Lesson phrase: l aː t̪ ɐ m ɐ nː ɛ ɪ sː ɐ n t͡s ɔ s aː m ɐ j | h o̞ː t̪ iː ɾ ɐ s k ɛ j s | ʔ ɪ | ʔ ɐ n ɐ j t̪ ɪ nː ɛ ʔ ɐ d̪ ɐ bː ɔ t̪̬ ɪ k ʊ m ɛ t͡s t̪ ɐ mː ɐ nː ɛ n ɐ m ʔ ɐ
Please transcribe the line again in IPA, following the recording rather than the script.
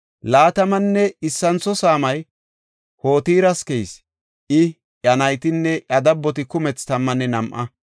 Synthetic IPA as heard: l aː t̪ ɐ m ɐ nː ɛ ɪ sː ɐ n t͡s ɔ s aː m ɐ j | h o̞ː t̪ iː ɾ ɐ s k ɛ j s | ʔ ɪ | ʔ ɐ n ɐ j t̪ ɪ nː ɛ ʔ ɐ d̪ ɐ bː ɔ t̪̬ ɪ k ʊ m ɛ t͡s t̪ ɐ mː ɐ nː ɛ n ɐ m ʔ ɐ